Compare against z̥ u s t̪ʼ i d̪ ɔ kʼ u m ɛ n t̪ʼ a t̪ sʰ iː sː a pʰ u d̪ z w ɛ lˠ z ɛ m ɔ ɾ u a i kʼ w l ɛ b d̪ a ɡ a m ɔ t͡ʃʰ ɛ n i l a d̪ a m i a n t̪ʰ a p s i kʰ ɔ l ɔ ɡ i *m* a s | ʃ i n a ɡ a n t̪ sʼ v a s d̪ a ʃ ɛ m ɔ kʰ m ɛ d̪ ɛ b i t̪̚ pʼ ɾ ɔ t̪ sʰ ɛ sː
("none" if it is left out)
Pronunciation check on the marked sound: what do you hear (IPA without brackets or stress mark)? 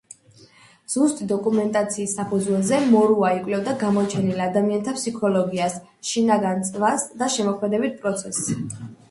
none